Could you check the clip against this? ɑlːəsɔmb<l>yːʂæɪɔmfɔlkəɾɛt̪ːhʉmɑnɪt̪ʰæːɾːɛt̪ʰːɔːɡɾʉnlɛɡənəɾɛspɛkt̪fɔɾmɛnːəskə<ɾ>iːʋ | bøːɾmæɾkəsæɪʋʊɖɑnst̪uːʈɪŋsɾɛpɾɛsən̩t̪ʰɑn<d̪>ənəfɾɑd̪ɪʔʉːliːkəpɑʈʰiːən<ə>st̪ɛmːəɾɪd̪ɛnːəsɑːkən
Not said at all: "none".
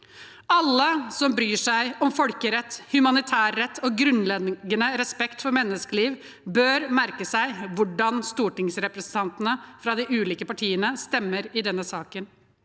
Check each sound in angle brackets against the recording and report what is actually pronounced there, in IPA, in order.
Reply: ɾ, l, t̪, ə

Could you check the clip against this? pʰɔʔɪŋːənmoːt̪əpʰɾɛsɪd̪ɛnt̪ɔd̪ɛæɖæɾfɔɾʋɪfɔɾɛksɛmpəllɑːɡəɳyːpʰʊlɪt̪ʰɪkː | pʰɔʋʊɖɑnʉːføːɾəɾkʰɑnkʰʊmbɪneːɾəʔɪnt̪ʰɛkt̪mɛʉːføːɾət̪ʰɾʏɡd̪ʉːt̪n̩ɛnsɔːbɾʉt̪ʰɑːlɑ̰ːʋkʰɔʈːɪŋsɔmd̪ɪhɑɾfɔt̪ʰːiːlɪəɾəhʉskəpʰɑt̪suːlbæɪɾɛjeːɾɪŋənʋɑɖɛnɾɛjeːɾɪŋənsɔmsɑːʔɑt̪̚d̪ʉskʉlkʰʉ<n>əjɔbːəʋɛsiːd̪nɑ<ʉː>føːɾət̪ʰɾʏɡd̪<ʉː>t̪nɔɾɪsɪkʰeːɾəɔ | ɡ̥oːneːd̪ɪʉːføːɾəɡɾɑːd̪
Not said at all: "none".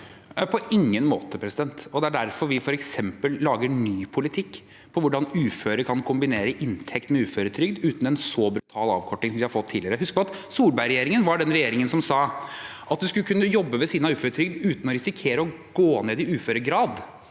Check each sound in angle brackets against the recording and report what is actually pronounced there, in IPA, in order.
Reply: nː, ʉː, ʉː

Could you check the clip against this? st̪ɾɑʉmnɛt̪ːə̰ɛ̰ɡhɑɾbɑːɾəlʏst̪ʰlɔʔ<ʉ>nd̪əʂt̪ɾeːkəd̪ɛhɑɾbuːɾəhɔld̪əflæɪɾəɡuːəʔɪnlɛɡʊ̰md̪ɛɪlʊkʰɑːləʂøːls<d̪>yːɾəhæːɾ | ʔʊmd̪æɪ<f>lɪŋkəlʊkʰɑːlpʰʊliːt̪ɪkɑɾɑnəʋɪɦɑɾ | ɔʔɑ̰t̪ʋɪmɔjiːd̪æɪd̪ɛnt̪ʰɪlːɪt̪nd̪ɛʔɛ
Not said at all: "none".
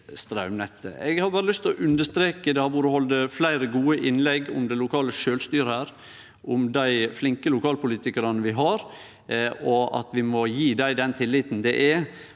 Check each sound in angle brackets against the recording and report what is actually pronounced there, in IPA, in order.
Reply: ʉ, t̪, f

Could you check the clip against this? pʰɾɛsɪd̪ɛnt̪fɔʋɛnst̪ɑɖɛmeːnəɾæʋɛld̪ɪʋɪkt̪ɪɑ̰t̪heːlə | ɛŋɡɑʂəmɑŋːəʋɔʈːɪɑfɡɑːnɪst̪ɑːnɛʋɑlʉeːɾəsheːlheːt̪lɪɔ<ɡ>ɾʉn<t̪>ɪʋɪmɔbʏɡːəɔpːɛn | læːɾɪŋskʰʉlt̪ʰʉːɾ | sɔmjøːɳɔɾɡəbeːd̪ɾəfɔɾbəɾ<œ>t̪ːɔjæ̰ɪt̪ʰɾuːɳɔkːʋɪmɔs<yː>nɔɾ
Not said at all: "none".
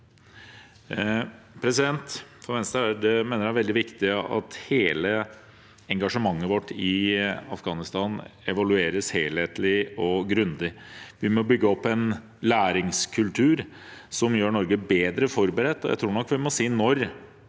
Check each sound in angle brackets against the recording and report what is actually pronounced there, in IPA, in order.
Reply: ɡ, d̪, ɛ, iː

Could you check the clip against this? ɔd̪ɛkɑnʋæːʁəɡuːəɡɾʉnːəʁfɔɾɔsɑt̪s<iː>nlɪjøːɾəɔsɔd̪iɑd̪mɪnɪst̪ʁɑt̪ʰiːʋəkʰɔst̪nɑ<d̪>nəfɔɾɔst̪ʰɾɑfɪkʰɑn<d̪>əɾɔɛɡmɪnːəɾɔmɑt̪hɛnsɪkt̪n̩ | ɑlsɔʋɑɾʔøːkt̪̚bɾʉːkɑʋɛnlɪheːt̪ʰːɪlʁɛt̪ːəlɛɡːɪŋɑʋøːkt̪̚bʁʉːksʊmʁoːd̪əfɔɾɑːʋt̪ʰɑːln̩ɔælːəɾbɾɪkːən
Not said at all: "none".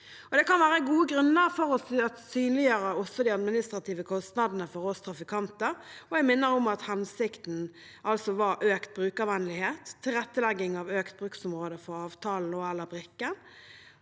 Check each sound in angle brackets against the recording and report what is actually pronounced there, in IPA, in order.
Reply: yː, d̪, t̪

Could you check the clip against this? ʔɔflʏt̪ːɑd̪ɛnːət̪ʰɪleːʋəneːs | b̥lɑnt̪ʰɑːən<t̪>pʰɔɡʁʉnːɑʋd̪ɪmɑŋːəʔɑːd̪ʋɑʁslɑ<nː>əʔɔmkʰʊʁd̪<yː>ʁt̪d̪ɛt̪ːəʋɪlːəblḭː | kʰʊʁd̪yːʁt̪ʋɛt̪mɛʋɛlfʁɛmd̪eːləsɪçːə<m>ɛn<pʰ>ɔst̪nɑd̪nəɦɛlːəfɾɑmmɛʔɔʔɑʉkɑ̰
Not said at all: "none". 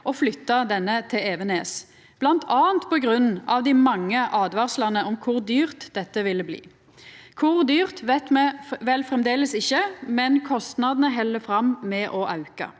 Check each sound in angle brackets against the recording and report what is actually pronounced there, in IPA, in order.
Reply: t̪, n, yː, m, kʰ

